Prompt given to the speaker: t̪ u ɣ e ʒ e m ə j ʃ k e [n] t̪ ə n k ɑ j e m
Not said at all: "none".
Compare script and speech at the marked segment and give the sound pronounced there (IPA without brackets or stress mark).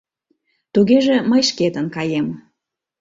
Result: none